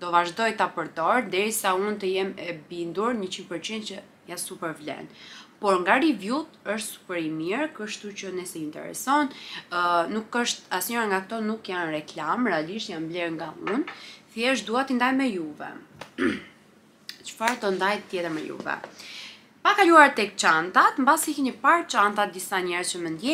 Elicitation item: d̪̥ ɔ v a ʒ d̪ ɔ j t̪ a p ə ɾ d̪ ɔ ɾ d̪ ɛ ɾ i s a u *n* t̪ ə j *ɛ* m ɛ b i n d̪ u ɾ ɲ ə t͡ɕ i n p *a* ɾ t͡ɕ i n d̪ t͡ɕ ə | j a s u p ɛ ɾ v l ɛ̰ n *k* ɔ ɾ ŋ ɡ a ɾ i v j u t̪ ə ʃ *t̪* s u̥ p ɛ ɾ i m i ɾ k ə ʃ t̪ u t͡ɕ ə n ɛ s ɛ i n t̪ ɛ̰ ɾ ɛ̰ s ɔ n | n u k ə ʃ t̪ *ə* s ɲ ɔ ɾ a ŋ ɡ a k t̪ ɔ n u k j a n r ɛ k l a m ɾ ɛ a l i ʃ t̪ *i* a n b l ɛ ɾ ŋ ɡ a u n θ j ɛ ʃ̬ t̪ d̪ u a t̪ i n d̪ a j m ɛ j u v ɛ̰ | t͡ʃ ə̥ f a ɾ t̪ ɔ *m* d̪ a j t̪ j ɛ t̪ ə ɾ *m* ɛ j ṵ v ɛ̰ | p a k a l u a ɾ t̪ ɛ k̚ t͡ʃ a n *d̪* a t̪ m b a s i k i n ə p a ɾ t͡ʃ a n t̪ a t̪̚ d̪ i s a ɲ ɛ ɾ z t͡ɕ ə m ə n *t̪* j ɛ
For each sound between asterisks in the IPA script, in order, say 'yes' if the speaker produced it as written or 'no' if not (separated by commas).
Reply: yes, yes, no, no, yes, no, no, no, yes, no, no